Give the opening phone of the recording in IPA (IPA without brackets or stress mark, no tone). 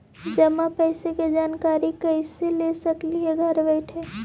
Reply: d͡ʒ